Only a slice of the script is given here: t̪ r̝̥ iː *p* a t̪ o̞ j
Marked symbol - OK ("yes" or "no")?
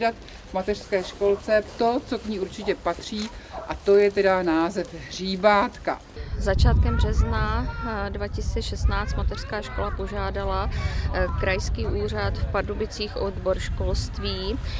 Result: no